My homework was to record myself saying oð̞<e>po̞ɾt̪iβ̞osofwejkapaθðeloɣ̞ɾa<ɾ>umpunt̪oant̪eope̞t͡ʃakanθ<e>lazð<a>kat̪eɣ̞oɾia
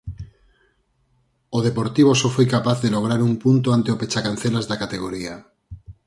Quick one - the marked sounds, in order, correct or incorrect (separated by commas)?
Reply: correct, correct, correct, correct